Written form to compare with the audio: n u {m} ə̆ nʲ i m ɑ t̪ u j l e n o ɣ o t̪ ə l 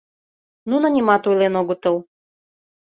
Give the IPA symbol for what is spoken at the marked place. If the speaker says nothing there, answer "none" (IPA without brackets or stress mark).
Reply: n